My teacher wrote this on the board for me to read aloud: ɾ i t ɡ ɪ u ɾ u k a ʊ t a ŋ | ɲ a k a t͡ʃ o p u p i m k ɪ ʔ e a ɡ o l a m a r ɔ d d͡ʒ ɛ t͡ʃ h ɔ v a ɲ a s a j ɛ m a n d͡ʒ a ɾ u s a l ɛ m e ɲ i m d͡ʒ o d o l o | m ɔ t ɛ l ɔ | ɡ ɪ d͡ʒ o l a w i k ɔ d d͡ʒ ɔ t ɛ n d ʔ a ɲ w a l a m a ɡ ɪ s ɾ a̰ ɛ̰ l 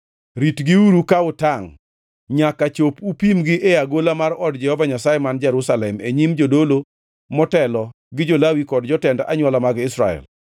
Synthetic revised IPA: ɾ i t ɡ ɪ u ɾ u k a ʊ t a ŋ | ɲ a k a t͡ʃ o p u p i m ɡ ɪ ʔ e a ɡ o l a m a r ɔ d d͡ʒ ɛ h ɔ v a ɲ a s a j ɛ m a n d͡ʒ ɛ ɾ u s a l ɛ m e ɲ i m d͡ʒ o d o l o | m ɔ t ɛ l ɔ | ɡ ɪ d͡ʒ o l a w i k ɔ d d͡ʒ ɔ t ɛ n d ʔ a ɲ w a l a m a ɡ ɪ s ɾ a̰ ɛ̰ l